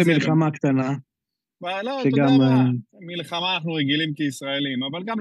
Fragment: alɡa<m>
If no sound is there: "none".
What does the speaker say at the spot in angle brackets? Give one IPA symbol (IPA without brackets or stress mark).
m